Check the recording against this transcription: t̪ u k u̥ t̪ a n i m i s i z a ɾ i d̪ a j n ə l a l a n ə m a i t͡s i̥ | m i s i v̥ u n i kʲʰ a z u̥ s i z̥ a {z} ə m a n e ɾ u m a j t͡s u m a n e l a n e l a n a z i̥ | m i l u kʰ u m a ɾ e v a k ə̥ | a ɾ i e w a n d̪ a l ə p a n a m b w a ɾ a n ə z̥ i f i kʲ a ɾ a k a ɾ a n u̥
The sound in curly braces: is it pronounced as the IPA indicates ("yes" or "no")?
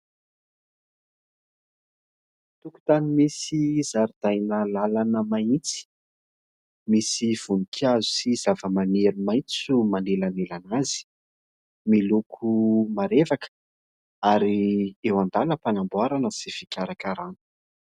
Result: no